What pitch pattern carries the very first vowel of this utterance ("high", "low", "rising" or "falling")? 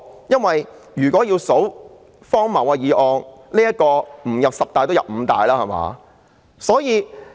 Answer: high